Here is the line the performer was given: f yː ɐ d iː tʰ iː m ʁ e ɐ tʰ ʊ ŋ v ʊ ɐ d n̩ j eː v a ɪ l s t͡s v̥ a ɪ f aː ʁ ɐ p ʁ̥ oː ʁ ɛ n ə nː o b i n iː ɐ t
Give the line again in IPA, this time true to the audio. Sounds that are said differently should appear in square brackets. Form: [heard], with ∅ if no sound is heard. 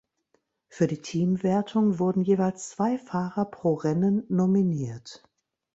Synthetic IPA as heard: f yː ɐ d iː tʰ iː m [v] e ɐ tʰ ʊ ŋ v ʊ ɐ d n̩ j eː v a ɪ l s t͡s v̥ a ɪ f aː ʁ ɐ p ʁ̥ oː ʁ ɛ n ə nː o [m] i n iː ɐ t